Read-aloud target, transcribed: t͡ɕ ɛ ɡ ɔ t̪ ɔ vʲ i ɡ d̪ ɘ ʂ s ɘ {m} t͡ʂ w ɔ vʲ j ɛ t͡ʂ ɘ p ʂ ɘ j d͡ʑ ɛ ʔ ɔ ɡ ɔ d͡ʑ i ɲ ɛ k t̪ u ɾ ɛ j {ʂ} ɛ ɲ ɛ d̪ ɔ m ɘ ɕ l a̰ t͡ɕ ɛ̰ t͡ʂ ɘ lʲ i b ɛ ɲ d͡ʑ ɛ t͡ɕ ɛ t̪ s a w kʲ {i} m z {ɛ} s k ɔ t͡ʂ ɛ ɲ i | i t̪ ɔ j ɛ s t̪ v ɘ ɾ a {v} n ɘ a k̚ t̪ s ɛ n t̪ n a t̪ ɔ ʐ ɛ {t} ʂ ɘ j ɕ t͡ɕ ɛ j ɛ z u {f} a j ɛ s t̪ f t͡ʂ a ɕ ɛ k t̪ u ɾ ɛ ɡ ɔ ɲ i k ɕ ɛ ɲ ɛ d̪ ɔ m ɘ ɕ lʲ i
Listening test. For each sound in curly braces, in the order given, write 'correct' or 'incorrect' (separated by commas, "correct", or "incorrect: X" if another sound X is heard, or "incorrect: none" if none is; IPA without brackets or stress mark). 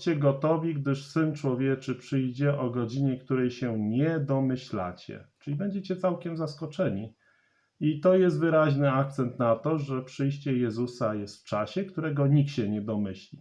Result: incorrect: n, incorrect: ɕ, incorrect: ɛ, incorrect: a, incorrect: ʑ, incorrect: p, incorrect: s